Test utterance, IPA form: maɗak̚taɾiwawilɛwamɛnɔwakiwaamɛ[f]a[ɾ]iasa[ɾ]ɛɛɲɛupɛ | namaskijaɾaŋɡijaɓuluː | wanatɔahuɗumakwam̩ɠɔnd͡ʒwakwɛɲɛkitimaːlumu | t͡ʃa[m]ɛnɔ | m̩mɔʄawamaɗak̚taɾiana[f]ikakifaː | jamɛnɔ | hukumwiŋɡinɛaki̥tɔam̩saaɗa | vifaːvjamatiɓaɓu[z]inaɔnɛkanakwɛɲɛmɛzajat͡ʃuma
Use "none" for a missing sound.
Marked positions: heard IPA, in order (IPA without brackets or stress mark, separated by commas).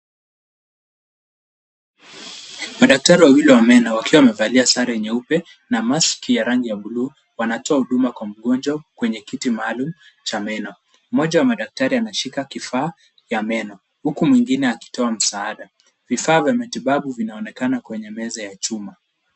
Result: v, l, ɾ, m, ʃ, v